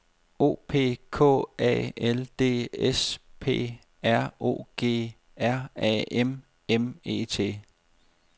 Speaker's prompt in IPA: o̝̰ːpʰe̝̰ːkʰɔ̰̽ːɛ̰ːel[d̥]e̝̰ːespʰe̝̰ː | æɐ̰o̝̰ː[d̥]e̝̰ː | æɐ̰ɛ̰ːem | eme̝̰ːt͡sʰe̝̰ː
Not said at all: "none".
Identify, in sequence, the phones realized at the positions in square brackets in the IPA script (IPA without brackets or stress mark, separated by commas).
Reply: d̥, ɡ̥